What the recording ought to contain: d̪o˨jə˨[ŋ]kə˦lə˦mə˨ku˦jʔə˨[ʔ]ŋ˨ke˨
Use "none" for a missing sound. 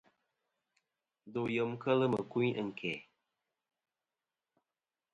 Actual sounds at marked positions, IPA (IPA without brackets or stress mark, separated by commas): m, none